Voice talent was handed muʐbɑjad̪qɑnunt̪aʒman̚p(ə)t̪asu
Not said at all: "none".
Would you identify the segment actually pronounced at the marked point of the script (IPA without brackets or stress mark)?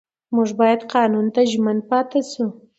ɑ